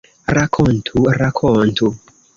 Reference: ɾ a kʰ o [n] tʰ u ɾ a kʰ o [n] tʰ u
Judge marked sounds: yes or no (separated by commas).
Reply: yes, yes